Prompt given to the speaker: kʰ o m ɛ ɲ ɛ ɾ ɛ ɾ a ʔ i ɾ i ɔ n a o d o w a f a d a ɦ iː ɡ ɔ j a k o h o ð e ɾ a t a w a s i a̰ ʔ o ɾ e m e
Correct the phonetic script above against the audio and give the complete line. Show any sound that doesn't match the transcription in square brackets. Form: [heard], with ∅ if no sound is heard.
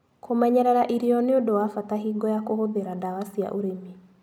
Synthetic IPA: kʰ o m ɛ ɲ ɛ ɾ ɛ ɾ a ʔ i ɾ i ɔ n [e] o d o w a f a [t] a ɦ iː ɡ ɔ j a k o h o ð e ɾ a [d] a w a s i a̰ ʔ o ɾ e m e